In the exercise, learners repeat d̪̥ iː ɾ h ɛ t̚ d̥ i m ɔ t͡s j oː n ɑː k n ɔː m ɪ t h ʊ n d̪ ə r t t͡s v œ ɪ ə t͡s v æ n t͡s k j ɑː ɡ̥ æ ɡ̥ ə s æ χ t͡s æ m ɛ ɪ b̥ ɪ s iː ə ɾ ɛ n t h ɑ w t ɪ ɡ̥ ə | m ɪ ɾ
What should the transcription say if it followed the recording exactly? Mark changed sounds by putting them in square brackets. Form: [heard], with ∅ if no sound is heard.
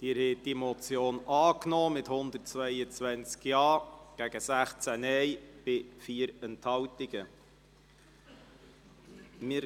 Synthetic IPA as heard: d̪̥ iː ɾ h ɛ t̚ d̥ i m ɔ t͡s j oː n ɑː k n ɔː m ɪ t h ʊ n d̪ ə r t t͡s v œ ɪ ə t͡s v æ n t͡s k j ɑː ɡ̥ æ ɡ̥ ə s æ χ t͡s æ [n] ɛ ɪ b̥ ɪ [f] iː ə ɾ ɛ n t h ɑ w t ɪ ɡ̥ ə | m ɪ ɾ